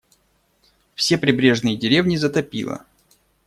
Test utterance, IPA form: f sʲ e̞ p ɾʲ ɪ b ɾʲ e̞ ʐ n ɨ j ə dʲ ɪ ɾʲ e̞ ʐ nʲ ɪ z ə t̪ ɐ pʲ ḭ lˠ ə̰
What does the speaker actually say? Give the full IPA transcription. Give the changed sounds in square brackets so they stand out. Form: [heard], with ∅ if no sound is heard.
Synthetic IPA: f sʲ e̞ p ɾʲ ɪ b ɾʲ e̞ ʐ n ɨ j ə dʲ ɪ ɾʲ e̞ [v] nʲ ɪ z ə t̪ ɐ pʲ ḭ lˠ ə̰

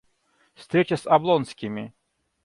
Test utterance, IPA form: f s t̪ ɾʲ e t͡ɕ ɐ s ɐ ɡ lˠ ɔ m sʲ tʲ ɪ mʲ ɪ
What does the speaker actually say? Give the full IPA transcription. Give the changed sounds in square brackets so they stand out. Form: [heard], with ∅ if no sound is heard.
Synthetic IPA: f s t̪ ɾʲ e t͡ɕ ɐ s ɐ [b] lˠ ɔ [n] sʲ [kʲ] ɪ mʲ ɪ

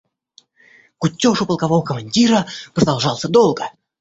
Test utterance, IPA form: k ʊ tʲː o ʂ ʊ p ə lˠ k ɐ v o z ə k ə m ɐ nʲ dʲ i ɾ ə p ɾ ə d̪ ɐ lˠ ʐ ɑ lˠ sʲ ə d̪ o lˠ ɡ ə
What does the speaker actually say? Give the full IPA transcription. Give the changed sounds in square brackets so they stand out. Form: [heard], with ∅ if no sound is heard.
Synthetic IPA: k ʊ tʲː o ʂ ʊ p ə lˠ k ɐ v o [v] ə k ə m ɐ nʲ dʲ i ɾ ə p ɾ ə d̪ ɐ lˠ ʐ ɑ lˠ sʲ ə d̪ o lˠ ɡ ə

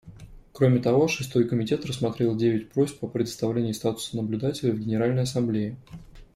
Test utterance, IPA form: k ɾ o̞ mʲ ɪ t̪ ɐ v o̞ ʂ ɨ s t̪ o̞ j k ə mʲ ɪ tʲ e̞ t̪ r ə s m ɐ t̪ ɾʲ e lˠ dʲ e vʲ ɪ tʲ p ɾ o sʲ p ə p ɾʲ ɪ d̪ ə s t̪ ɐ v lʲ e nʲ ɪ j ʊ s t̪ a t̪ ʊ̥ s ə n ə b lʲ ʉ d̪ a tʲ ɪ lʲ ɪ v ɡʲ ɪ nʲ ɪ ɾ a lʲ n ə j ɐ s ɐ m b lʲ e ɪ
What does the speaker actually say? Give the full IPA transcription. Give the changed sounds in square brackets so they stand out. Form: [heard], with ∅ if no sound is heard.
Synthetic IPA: k ɾ o̞ mʲ ɪ t̪ ɐ v o̞ ʂ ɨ s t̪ o̞ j k ə mʲ ɪ tʲ e̞ t̪ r ə s m ɐ t̪ ɾʲ e lˠ dʲ e vʲ ɪ tʲ p ɾ o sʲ p ə p ɾʲ ɪ d̪ ə s t̪ ɐ v lʲ e nʲ ɪ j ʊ s t̪ a t̪ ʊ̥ s ə n ə b lʲ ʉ d̪ a tʲ ɪ lʲ ɪ v ɡʲ ɪ nʲ ɪ ɾ a lʲ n ə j ɐ s ɐ m b lʲ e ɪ

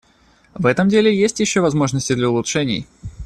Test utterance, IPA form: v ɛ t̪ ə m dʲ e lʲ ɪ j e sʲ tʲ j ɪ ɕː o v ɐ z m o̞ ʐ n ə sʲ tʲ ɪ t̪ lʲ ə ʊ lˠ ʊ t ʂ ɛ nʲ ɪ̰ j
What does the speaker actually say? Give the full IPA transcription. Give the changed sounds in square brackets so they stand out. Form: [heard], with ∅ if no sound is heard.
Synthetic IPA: v ɛ t̪ ə m dʲ e lʲ ɪ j e sʲ tʲ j ɪ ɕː o v ɐ z m o̞ ʐ n ə sʲ tʲ ɪ [d̪] lʲ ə ʊ lˠ ʊ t ʂ ɛ nʲ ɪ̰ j

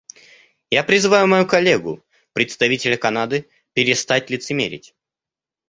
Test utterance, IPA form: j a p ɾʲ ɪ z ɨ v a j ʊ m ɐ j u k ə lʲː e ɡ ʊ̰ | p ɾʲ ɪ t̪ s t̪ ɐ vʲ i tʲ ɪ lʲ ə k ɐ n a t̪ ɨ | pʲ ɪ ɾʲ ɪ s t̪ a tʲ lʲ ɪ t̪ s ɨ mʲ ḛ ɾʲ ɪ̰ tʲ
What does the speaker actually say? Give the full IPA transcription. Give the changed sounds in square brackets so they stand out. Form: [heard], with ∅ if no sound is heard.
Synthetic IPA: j a p ɾʲ ɪ z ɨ v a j ʊ m ɐ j u k [ɐ] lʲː e ɡ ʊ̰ | p ɾʲ ɪ t̪ s t̪ ɐ vʲ i tʲ ɪ lʲ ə k ɐ n a [d̪] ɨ | pʲ ɪ ɾʲ ɪ s t̪ a tʲ lʲ ɪ t̪ s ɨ mʲ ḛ ɾʲ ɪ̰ tʲ

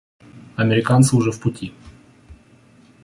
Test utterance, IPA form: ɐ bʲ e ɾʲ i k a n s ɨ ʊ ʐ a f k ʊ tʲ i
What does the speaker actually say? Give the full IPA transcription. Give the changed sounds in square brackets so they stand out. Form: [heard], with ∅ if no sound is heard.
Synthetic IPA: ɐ [mʲ] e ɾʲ [ɪ] k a n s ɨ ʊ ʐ [ɛ] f [p] ʊ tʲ i

